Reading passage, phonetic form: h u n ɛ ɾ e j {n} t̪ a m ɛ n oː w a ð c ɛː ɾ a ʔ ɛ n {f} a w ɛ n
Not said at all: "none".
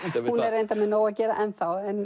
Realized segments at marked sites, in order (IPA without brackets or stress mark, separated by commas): n, θ